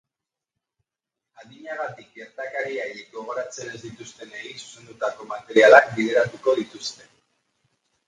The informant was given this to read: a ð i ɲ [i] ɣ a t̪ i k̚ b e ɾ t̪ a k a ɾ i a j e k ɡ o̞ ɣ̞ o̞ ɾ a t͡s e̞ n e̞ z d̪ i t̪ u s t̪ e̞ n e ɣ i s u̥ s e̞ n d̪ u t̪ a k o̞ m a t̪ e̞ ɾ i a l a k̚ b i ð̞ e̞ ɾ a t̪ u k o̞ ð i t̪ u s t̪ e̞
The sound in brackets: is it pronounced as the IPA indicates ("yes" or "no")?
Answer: no